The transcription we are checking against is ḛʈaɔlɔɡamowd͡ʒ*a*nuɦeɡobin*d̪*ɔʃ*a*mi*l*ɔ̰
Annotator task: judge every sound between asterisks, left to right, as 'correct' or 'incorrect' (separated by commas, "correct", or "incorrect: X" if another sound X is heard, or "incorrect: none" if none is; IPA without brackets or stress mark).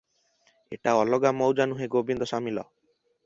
correct, correct, correct, correct